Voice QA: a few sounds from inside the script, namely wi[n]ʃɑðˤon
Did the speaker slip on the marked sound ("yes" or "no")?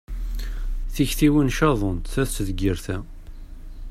no